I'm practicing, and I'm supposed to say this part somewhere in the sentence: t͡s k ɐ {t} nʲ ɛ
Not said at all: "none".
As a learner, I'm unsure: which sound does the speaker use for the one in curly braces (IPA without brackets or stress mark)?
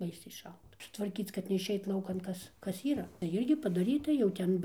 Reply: t